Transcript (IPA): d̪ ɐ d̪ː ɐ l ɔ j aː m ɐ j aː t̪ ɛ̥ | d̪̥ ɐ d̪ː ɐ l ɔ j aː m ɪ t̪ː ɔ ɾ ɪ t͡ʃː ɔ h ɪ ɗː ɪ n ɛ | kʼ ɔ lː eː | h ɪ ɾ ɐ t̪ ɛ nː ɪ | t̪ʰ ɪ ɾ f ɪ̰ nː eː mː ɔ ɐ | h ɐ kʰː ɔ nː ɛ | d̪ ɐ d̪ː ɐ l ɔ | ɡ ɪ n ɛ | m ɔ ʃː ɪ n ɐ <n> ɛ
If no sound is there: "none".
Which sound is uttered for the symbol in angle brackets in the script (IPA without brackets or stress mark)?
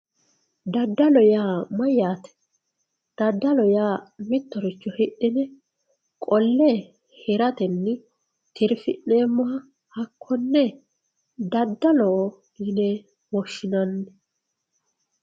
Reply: nː